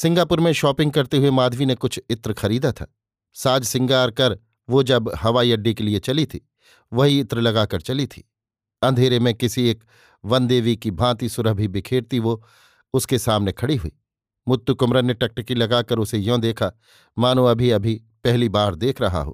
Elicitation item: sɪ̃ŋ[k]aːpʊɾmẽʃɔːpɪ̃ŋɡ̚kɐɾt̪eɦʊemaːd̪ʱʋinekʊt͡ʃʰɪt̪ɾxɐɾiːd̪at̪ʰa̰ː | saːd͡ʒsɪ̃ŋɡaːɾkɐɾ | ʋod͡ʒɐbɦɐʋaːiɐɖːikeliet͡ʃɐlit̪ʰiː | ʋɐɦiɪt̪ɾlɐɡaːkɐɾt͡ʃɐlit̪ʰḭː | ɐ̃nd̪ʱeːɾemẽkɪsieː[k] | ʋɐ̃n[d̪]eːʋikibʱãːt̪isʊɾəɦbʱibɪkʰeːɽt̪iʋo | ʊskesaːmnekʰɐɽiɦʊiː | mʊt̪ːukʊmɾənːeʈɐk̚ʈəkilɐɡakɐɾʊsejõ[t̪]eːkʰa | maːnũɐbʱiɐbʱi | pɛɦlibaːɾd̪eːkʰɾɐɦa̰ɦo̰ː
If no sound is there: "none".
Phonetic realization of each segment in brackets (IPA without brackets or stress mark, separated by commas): ɡ, k, d̪, d̪